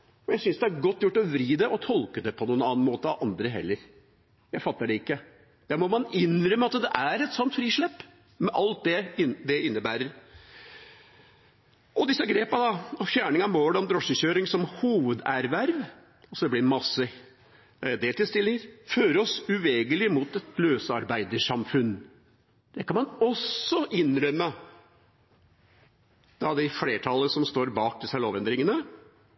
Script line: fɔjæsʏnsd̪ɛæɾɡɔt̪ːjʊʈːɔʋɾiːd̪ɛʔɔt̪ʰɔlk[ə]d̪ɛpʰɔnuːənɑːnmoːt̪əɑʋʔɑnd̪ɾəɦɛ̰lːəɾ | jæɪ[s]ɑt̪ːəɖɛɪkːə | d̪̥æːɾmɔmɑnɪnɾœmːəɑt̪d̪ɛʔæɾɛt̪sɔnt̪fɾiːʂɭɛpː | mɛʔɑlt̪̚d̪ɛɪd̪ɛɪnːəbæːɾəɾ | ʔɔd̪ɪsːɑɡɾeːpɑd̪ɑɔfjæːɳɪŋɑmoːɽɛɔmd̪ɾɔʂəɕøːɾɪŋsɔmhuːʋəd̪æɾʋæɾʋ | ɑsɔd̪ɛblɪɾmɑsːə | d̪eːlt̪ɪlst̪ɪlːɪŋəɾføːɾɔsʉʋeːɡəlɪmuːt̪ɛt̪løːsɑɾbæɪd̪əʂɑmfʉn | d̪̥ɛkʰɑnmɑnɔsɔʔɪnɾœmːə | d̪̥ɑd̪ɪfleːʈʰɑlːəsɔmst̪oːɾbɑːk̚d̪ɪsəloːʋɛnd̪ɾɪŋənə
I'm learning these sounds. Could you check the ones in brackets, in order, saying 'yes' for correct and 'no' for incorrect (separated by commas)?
yes, no